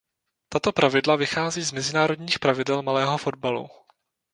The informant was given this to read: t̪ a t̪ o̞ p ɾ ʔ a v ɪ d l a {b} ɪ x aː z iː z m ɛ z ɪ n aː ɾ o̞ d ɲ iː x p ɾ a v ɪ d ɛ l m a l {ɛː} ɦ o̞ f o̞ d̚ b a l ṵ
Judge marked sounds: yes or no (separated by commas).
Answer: no, yes